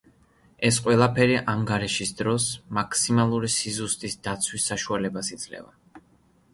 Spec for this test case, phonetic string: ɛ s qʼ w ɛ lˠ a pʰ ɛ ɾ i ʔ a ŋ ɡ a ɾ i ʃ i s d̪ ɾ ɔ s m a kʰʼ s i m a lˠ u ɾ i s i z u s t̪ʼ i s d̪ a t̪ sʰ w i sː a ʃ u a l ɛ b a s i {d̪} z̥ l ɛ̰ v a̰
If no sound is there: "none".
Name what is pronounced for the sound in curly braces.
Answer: d̪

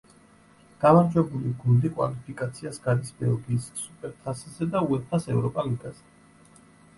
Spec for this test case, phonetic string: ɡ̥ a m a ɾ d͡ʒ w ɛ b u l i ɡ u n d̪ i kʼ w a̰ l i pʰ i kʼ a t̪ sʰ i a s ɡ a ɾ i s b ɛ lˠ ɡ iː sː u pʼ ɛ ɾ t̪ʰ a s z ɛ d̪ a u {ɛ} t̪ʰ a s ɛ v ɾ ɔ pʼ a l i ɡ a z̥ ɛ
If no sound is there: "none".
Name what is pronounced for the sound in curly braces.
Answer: ɛ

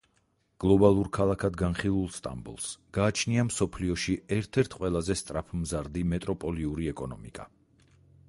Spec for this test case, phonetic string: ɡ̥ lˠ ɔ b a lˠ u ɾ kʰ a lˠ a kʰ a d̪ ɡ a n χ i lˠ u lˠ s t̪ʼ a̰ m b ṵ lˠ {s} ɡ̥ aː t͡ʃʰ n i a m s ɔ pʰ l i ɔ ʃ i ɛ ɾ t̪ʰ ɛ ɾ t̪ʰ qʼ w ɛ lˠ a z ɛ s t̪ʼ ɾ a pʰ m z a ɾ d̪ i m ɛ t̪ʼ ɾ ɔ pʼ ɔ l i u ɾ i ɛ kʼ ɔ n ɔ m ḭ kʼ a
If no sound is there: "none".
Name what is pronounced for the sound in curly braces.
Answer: s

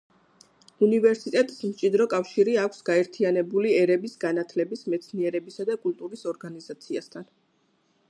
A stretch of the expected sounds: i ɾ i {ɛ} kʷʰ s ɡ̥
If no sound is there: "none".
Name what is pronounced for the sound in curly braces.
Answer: a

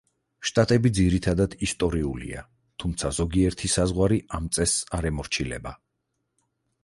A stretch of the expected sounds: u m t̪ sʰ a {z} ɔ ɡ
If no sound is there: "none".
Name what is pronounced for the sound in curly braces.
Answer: z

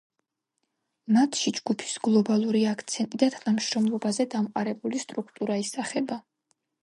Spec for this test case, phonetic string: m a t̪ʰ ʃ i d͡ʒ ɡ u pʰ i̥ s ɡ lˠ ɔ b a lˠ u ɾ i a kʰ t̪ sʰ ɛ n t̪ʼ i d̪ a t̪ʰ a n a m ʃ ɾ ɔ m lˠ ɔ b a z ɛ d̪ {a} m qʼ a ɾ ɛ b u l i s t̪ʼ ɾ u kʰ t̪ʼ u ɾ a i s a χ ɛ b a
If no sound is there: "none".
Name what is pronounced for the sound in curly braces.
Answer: a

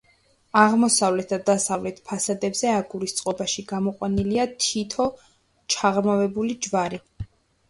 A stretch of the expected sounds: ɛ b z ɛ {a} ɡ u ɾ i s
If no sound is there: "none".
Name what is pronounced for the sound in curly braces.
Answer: a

